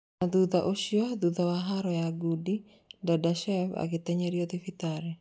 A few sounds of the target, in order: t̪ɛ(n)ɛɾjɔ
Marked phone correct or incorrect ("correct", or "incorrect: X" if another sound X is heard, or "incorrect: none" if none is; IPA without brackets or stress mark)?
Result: incorrect: ɲ